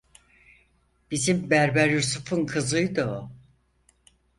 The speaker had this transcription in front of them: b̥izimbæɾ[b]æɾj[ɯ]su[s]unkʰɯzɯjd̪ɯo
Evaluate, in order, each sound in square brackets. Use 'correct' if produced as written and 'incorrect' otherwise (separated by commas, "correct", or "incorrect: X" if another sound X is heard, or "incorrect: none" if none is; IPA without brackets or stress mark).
correct, incorrect: u, incorrect: f